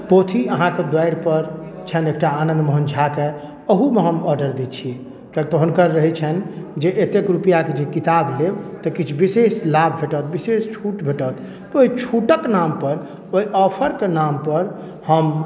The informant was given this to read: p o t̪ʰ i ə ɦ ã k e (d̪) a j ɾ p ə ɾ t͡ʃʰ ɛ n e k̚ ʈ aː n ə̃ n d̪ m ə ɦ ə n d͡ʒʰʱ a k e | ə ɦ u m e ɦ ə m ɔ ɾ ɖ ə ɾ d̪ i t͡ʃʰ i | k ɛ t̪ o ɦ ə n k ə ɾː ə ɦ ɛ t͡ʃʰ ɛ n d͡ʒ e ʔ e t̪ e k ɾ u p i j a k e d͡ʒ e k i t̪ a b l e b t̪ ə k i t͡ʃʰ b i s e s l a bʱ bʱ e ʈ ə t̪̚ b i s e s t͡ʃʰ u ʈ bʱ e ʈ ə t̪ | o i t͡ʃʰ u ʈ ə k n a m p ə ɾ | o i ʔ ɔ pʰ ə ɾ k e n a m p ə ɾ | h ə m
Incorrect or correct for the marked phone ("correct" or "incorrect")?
correct